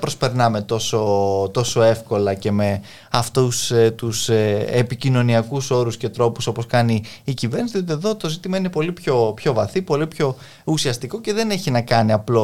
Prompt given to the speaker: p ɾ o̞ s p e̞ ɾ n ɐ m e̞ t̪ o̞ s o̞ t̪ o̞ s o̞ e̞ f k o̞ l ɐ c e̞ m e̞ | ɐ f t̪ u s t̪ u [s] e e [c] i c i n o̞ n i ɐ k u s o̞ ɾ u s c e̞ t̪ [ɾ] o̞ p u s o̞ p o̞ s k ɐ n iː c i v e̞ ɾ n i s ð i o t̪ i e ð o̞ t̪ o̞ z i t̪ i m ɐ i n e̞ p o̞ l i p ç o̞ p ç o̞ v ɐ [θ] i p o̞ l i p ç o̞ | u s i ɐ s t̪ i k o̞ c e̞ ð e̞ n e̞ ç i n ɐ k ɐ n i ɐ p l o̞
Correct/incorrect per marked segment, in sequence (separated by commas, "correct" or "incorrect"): correct, incorrect, correct, correct